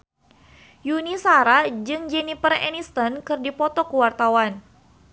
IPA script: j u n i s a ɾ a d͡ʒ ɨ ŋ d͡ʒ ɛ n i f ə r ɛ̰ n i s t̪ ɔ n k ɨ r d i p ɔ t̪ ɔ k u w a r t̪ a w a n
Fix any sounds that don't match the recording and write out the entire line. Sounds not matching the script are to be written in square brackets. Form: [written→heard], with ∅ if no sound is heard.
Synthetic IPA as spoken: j u n i s a ɾ a d͡ʒ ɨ ŋ d͡ʒ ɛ n i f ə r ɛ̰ n i s t̪ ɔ n k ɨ r d i p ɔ t̪ ɔ k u w a r t̪ a w a n